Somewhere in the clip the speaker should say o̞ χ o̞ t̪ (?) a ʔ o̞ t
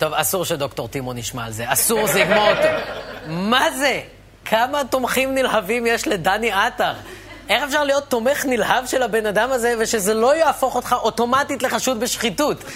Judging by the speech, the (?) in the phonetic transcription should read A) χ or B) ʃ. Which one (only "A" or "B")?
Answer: A